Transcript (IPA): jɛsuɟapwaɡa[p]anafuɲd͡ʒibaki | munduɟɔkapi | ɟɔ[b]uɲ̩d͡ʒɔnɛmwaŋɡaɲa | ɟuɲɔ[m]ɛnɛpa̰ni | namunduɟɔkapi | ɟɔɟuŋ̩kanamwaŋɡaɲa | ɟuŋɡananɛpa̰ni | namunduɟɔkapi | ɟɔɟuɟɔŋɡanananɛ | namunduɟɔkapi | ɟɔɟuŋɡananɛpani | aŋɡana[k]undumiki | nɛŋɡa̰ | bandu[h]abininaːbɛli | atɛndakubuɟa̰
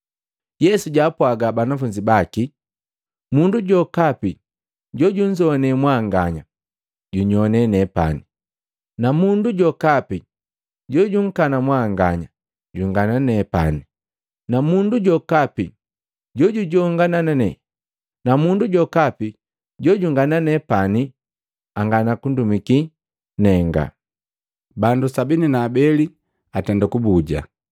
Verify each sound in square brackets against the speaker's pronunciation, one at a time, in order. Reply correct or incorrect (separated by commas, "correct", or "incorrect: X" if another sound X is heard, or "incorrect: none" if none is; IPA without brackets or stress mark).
incorrect: b, incorrect: ɟ, incorrect: n, correct, incorrect: s